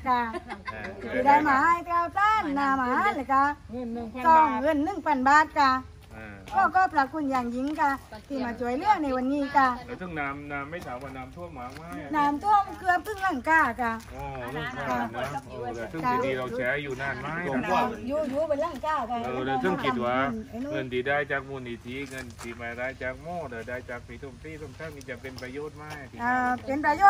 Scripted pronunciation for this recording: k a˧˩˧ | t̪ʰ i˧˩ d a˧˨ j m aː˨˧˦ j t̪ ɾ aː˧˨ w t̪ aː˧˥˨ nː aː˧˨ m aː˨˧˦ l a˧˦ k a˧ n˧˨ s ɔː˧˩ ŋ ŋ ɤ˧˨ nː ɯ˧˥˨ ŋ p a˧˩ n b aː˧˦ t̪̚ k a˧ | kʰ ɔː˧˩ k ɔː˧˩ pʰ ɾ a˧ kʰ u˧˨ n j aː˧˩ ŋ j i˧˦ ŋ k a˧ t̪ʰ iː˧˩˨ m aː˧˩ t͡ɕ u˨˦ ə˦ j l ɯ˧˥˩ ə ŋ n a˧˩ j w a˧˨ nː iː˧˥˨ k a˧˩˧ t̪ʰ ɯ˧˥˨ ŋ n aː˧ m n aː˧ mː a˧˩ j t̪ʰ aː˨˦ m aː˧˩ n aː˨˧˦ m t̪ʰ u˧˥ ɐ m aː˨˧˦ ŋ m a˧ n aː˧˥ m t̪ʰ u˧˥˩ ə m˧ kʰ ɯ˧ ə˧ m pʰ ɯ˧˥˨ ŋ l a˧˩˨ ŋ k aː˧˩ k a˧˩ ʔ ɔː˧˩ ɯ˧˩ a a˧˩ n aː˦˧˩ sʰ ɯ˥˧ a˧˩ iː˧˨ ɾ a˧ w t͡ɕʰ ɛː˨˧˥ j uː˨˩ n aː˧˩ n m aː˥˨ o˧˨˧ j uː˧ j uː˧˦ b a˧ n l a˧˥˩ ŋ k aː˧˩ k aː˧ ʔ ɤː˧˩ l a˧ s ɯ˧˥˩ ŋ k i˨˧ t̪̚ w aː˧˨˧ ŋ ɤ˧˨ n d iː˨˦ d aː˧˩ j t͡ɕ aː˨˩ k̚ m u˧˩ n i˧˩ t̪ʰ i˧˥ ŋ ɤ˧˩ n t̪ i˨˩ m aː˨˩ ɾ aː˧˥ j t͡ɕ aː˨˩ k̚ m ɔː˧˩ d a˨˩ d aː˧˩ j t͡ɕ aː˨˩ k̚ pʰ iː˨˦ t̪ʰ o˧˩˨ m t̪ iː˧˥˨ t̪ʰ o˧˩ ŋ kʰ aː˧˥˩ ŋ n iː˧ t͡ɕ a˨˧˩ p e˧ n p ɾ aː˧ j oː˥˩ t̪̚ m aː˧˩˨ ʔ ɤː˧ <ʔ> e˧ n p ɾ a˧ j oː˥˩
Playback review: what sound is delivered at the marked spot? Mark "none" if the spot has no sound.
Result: p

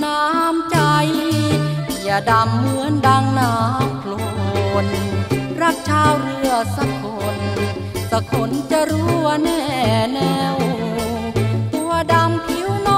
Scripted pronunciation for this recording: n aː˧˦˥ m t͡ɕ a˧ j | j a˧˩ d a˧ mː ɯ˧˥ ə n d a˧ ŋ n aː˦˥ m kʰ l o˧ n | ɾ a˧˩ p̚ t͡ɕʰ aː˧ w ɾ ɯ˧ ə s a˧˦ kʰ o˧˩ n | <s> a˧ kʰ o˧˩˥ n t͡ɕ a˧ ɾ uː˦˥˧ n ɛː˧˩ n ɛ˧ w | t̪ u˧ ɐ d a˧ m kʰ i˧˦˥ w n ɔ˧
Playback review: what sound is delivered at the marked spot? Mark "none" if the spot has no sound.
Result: s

